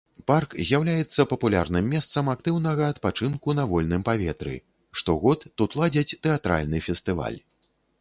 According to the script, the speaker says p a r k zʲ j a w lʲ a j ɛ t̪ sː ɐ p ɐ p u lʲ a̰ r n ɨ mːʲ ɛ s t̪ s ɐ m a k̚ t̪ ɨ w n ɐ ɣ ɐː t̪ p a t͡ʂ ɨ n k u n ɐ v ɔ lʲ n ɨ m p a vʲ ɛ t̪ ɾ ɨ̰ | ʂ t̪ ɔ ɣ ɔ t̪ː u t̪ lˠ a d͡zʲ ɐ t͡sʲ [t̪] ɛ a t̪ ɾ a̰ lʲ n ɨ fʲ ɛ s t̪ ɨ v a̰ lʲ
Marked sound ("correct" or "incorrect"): correct